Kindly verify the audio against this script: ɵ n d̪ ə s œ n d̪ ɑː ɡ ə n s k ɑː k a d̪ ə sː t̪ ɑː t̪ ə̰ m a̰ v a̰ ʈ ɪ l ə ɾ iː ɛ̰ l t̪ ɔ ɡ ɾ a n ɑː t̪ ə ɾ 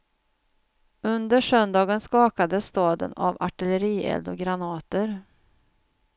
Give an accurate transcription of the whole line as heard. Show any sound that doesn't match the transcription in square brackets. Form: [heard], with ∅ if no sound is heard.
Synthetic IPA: ɵ n d̪ ə [ʂ] œ n d̪ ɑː ɡ ə n s k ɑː k a d̪ ə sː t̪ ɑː [d̪] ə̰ [n] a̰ v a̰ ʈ ɪ l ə ɾ iː ɛ̰ l [d̪] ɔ ɡ ɾ a n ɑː t̪ ə ɾ